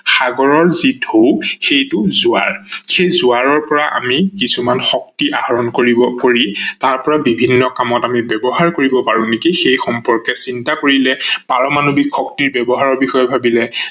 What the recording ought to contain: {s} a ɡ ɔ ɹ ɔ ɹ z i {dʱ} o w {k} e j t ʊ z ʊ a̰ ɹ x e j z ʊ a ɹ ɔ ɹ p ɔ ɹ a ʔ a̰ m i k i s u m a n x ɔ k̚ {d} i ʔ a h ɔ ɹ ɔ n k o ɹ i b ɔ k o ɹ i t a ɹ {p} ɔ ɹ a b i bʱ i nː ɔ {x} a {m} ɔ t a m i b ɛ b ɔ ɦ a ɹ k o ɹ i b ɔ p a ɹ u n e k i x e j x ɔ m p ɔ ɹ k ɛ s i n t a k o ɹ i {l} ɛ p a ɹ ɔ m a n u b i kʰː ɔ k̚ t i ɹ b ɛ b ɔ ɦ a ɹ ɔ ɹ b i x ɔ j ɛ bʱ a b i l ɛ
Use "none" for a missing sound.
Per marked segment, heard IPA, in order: x, dʱ, x, t, p, k, m, l

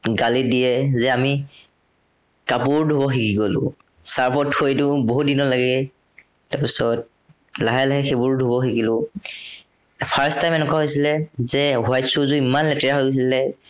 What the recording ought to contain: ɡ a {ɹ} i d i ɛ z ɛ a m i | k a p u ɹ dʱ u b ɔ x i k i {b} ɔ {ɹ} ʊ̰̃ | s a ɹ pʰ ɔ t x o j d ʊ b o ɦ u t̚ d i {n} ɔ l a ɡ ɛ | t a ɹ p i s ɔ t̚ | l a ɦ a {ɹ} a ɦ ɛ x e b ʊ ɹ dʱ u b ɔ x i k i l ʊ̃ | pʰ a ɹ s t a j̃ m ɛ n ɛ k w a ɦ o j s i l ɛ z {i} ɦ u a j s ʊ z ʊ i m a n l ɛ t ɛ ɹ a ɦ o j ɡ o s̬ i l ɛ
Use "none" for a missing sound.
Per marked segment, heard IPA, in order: l, ɡ, l, n, l, ɛ

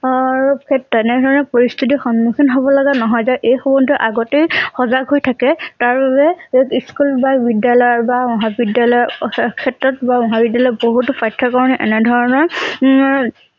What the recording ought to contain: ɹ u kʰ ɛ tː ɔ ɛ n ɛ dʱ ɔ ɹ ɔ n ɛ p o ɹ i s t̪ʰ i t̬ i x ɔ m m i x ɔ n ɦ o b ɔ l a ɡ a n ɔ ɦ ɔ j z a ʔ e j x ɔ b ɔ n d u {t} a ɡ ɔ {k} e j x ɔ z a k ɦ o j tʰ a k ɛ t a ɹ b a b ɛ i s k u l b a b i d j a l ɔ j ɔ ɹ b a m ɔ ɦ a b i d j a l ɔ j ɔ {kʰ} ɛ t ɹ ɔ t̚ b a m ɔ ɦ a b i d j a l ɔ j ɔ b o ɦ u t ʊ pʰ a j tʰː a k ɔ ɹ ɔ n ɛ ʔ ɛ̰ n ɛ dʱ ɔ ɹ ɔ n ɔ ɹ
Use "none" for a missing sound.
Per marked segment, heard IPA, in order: ʔ, t, kʰ

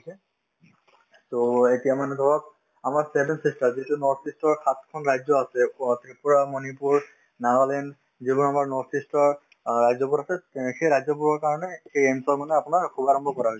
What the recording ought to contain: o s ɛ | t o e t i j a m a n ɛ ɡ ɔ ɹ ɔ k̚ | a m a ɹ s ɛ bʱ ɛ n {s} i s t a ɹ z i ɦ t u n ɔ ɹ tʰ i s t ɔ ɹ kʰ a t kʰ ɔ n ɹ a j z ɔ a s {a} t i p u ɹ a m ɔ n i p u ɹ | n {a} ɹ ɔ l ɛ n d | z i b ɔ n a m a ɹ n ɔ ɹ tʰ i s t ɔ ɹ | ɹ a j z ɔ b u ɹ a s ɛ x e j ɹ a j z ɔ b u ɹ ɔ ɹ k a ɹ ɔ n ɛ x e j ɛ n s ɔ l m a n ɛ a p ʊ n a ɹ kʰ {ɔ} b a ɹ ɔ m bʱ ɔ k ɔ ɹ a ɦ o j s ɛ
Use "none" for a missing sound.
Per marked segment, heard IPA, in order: s, ɛ, a, u

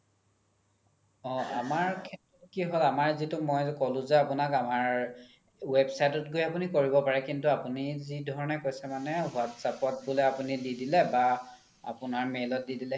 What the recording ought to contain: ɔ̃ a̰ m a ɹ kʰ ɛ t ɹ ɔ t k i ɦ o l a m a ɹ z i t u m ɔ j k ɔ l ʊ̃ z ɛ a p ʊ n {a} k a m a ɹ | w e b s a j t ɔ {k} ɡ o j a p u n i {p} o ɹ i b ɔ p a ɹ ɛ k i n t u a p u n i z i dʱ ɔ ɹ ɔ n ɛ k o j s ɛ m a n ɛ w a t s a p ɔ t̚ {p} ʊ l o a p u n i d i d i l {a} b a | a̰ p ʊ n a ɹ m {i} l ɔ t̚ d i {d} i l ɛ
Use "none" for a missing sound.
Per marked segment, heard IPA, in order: a, t, k, b, ɛ, e, d

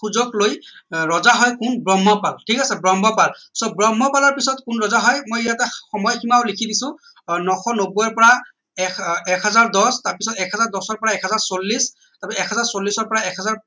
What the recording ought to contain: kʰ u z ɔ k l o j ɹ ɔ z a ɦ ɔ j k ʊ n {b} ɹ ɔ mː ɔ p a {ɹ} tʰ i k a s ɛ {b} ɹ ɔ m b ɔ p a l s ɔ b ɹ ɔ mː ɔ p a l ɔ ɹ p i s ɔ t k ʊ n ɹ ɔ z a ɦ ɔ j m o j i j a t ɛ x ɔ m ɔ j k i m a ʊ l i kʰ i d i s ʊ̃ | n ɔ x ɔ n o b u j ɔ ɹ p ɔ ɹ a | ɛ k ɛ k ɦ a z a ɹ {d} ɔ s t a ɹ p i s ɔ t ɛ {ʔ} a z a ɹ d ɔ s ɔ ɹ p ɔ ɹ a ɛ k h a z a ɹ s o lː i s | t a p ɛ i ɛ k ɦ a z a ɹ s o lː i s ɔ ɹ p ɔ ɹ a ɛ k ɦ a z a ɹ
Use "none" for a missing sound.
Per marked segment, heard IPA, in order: b, l, b, d, k

